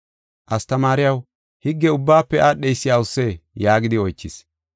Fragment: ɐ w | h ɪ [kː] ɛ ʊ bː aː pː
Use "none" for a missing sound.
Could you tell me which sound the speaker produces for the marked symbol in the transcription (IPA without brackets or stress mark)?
ɡː